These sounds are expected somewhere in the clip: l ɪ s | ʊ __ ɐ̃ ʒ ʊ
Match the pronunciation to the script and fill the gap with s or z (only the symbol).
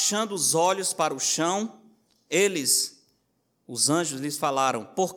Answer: z